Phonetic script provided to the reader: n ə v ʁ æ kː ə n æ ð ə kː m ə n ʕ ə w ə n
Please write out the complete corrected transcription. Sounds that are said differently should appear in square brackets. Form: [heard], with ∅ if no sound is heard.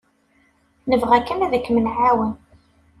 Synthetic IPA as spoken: n ə v ʁ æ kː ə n æ ð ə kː m ə n ʕ [a] w ə n

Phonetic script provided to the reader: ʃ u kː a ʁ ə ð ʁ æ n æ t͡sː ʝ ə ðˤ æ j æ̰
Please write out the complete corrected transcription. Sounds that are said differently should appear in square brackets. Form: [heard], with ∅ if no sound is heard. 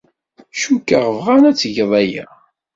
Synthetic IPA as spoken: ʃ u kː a ʁ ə [v] ʁ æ n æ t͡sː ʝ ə ðˤ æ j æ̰

